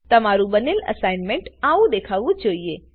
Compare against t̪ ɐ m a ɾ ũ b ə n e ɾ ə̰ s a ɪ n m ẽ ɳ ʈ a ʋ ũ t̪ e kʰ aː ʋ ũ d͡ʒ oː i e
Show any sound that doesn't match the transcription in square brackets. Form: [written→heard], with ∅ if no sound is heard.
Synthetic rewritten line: t̪ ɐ m a ɾ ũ b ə n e [ɾ→l] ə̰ s a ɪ n m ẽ ɳ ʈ a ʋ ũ [t̪→d̪] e kʰ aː ʋ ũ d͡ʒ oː i e